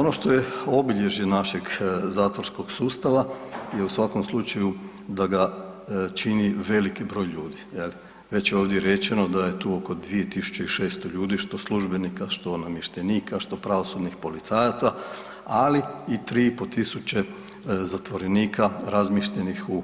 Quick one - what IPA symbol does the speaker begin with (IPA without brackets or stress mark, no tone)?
o